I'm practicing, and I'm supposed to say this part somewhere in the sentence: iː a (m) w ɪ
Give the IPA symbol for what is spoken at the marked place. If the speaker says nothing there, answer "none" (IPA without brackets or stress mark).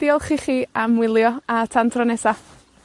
m